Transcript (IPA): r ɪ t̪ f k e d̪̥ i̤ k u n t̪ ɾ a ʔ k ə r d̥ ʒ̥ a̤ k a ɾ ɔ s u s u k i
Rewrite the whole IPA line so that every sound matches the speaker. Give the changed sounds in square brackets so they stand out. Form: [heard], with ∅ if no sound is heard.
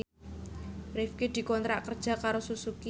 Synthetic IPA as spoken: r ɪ [∅] f k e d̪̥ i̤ k [ɔ] n t̪ ɾ a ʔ k ə r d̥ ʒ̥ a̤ k a ɾ [o] s u s u k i